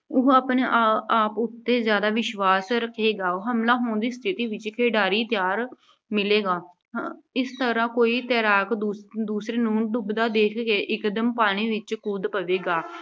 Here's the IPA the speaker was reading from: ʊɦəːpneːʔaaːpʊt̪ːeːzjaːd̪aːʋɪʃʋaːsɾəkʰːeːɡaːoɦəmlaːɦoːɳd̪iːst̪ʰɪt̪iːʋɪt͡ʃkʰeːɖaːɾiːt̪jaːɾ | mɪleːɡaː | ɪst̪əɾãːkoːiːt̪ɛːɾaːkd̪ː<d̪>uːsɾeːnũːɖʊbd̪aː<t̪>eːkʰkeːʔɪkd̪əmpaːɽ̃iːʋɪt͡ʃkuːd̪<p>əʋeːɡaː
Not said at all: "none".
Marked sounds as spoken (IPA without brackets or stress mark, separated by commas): d̪, d̪, p